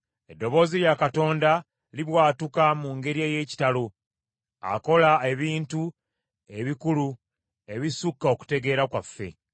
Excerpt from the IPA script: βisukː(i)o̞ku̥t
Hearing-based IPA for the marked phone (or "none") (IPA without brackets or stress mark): a